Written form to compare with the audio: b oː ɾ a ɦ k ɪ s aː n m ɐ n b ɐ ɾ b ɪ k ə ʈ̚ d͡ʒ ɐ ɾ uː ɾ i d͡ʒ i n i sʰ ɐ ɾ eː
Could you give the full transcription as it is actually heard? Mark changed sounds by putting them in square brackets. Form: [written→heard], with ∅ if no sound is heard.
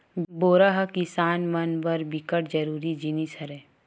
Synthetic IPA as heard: b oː ɾ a ɦ k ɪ s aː n m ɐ n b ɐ ɾ b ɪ k ə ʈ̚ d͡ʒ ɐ ɾ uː ɾ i d͡ʒ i n i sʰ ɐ ɾ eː

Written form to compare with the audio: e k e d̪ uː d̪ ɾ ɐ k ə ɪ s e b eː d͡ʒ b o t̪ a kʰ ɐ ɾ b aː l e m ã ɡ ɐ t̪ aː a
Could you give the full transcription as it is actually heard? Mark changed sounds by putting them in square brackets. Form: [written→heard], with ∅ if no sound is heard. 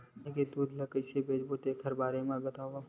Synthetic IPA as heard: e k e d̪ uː d̪ [ɾ→l] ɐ k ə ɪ s e b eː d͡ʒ b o t̪ [a→e] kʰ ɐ ɾ b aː [l→ɾ] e m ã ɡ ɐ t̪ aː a

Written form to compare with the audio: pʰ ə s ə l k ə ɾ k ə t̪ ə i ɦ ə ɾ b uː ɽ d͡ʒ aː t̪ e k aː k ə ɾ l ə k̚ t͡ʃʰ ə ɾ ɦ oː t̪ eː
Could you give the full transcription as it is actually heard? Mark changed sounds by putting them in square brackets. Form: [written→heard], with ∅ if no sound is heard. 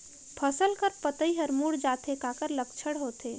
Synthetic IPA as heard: pʰ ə s ə l k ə ɾ [k→p] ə t̪ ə i ɦ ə ɾ [b→m] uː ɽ d͡ʒ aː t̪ e k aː k ə ɾ l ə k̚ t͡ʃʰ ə [ɾ→ɽ] ɦ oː t̪ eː

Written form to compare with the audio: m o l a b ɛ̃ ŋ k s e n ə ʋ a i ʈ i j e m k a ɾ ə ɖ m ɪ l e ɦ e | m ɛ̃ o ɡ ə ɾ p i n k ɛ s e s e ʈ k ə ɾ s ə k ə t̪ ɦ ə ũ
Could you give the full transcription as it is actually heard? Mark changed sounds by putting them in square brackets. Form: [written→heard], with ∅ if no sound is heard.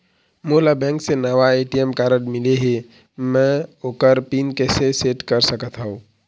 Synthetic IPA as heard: m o l a b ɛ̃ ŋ k s e n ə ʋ a [i→e] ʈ i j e m k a ɾ ə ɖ m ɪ l e ɦ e | m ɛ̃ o [ɡ→k] ə ɾ p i n k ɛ s e s e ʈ k ə ɾ s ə k ə t̪ ɦ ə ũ

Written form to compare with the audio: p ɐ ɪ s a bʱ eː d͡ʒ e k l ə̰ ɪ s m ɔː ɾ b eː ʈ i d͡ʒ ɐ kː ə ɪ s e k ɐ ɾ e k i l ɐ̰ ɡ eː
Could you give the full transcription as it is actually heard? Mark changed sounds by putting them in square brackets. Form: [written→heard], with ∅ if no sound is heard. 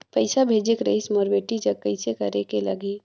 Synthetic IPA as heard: p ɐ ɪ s a bʱ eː d͡ʒ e k [l→ɾ] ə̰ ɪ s m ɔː ɾ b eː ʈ i d͡ʒ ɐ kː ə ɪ s e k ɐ ɾ e k [i→e] l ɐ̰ ɡ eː

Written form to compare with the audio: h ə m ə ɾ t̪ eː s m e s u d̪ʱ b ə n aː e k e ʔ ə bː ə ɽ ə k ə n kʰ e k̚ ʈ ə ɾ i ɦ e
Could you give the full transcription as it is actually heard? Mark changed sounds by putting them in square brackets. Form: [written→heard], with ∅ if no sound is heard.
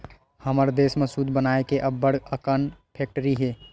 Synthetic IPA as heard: h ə m ə ɾ [t̪→d̪] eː s m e s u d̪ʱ b ə n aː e k e ʔ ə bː ə ɽ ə k ə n [kʰ→pʰ] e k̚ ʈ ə ɾ i ɦ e

